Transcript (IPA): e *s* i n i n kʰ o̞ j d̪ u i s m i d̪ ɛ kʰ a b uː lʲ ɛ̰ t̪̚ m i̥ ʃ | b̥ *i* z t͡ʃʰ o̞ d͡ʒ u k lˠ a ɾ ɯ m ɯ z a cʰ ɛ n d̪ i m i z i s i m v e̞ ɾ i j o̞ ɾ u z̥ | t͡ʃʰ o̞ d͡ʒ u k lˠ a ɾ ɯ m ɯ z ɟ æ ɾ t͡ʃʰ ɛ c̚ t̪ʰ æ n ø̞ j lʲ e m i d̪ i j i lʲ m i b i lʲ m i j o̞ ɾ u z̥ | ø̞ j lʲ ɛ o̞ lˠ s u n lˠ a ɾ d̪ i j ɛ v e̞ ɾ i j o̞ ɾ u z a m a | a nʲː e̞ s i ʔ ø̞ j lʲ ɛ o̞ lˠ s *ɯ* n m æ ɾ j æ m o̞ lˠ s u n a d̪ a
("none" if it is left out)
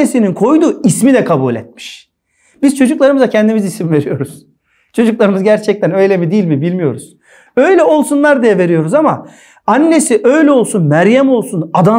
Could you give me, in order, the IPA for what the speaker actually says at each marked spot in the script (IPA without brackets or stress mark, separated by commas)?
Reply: s, i, u